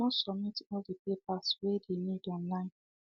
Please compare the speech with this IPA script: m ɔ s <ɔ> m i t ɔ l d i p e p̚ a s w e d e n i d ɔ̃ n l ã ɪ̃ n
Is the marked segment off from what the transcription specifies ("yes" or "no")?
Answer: no